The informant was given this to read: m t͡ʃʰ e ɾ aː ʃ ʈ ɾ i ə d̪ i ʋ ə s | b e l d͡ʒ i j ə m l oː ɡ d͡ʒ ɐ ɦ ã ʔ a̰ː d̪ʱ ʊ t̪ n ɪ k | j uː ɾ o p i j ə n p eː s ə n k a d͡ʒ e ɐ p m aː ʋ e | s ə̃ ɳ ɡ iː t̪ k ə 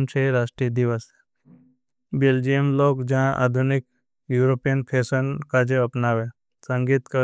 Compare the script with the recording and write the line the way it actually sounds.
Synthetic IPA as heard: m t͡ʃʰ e ɾ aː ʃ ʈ ɾ i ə d̪ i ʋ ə s | b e l d͡ʒ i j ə m l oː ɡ d͡ʒ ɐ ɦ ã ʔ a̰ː d̪ʱ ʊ n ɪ k | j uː ɾ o p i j ə n pʰ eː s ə n k a d͡ʒ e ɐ p n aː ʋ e | s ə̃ ŋ ɡ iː t̪ k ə